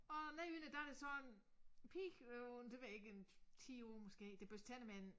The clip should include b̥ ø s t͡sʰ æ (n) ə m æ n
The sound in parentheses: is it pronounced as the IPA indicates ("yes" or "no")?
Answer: yes